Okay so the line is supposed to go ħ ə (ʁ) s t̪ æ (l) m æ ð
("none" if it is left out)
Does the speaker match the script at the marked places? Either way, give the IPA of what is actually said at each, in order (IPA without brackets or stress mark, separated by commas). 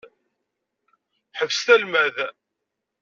v, l